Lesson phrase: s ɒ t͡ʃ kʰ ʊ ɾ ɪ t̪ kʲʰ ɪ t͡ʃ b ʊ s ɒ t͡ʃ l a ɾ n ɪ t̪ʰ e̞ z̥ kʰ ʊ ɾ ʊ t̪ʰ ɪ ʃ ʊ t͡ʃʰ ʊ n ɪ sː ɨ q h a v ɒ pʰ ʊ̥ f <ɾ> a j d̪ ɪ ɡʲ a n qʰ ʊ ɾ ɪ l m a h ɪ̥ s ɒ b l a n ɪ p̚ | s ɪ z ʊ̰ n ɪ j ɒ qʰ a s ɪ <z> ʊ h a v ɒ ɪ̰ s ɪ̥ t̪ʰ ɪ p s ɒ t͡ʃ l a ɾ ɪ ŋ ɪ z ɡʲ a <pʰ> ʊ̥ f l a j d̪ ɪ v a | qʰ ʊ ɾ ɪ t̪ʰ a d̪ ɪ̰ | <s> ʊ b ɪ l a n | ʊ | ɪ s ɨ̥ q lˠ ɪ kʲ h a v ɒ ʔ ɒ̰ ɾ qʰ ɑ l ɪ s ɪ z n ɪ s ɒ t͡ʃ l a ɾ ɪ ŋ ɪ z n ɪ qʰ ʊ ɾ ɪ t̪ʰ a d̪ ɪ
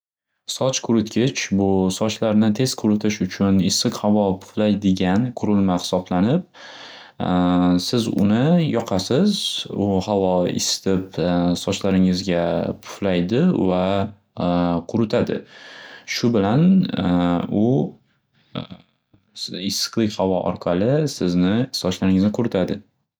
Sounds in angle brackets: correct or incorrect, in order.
incorrect: l, correct, correct, incorrect: ʃ

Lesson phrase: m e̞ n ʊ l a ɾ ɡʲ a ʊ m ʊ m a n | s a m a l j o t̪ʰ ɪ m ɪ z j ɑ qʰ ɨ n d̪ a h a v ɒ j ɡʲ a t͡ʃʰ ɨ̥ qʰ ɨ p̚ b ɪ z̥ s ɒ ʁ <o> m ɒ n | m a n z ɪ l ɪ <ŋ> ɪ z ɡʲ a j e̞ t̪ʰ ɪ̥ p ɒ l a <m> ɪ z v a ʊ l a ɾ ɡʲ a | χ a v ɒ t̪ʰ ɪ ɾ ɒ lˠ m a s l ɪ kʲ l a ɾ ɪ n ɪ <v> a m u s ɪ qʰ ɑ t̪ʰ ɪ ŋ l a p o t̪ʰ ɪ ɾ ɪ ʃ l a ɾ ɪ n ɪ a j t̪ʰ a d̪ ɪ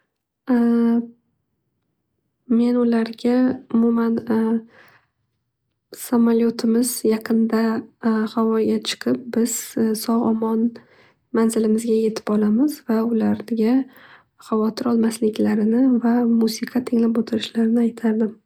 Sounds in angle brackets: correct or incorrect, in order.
incorrect: ɒ, incorrect: m, correct, correct

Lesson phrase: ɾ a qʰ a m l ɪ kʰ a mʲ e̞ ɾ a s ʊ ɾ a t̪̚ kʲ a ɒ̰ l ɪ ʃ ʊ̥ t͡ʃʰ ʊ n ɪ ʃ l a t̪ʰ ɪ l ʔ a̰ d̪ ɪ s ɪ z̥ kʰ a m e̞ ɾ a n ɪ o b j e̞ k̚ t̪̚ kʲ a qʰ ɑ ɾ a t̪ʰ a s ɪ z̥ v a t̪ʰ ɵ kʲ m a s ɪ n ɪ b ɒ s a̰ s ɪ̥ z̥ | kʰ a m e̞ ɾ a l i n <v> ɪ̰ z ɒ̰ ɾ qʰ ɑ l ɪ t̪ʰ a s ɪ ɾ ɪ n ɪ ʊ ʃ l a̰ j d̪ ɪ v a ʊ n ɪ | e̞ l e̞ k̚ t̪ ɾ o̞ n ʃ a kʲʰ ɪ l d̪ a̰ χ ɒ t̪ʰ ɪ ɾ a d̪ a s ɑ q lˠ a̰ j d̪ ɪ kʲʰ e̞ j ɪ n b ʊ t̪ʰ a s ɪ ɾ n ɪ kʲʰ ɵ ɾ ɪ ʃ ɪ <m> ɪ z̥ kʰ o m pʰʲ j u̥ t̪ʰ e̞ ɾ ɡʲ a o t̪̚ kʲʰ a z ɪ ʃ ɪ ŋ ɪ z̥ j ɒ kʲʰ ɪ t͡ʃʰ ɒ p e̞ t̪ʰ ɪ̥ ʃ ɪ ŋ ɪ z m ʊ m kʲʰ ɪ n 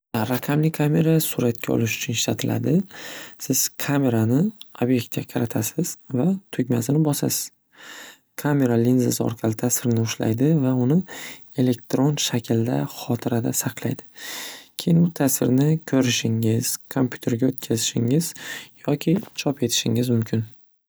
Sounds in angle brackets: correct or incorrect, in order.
incorrect: z, incorrect: ŋ

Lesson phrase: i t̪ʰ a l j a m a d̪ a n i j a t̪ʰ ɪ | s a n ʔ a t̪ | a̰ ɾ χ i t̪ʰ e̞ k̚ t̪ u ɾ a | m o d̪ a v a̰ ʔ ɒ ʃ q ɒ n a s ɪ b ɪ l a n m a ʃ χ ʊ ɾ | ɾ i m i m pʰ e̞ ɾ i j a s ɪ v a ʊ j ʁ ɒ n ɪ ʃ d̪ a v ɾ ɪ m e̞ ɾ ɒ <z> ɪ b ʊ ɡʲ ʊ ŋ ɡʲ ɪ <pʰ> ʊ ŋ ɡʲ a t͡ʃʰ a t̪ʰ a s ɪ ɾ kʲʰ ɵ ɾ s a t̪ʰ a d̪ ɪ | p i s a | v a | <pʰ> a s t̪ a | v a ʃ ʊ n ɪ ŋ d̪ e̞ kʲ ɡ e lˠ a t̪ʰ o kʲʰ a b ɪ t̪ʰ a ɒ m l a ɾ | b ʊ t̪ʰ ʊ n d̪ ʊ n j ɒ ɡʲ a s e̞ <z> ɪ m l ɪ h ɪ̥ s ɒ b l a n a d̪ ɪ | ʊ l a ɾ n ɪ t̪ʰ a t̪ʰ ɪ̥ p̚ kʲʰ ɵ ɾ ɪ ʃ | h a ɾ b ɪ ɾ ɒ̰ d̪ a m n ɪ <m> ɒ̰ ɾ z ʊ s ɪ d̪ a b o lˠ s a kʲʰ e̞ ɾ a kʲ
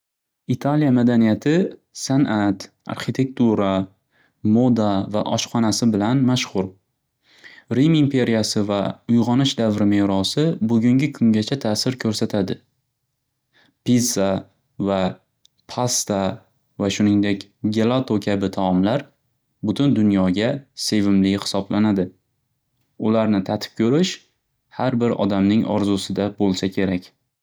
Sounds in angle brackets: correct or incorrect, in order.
incorrect: s, incorrect: kʰ, correct, incorrect: v, incorrect: ŋ

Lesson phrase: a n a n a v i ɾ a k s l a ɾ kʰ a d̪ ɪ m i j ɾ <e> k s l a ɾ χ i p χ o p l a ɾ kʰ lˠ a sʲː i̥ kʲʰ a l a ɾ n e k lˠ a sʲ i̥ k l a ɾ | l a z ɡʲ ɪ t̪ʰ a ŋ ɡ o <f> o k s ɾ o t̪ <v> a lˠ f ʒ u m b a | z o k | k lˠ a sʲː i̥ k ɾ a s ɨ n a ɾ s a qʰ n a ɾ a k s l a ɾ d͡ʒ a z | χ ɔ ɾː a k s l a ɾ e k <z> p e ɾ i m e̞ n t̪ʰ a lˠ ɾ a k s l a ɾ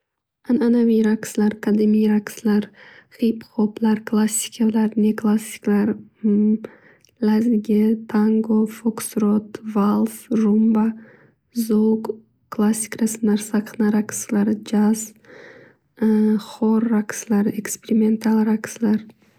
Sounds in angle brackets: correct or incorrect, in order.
incorrect: a, correct, correct, incorrect: s

